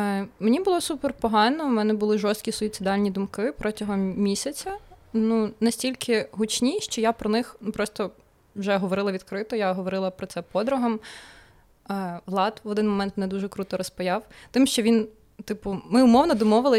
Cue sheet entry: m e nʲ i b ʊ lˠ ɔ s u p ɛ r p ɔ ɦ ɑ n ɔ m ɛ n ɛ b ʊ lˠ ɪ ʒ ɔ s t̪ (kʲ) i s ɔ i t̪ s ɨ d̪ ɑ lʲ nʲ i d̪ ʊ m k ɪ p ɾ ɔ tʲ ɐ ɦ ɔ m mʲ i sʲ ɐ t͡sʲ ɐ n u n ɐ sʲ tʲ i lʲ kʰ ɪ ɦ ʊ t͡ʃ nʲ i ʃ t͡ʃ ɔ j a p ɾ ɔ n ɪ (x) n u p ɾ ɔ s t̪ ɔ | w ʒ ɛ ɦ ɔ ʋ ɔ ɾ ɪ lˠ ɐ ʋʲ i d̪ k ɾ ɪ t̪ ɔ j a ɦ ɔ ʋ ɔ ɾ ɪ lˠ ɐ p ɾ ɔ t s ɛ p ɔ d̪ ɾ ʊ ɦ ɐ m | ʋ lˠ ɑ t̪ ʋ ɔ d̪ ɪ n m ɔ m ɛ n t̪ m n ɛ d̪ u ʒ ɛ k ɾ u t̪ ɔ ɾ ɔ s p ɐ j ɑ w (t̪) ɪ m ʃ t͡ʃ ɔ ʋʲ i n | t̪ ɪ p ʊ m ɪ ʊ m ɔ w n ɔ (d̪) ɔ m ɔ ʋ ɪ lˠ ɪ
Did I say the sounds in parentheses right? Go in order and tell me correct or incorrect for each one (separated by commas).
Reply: correct, correct, correct, correct